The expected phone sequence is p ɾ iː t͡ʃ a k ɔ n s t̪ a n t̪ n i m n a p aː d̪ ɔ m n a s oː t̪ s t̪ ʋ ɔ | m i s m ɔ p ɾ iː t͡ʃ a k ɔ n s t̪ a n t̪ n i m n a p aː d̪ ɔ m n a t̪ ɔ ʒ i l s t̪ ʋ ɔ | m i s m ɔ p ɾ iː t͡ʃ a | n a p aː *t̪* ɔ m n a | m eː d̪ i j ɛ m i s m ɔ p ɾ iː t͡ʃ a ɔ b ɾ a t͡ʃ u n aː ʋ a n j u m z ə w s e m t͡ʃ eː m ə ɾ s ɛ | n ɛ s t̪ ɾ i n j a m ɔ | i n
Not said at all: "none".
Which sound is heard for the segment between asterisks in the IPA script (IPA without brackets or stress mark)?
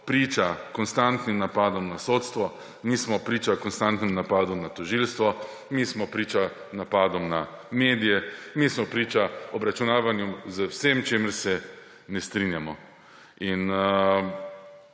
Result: d̪